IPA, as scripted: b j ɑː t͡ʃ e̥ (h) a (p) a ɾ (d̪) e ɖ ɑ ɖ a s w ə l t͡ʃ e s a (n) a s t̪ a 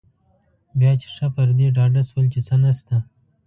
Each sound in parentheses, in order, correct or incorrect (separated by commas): incorrect, correct, correct, correct